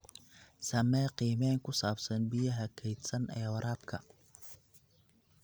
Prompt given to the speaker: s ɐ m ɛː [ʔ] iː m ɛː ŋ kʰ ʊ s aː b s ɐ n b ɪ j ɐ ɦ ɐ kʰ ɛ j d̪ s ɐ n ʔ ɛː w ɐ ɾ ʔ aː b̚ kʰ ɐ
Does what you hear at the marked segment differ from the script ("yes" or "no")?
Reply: yes